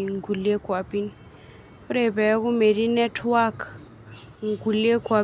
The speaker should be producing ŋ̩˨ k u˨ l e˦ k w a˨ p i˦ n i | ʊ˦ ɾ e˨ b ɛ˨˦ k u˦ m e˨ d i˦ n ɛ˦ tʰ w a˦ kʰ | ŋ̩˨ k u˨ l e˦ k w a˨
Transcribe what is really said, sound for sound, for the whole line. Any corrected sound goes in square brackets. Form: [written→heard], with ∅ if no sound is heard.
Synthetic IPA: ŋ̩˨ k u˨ l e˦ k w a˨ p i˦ n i | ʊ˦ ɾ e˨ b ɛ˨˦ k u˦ m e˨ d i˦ n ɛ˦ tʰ w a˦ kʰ | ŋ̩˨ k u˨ l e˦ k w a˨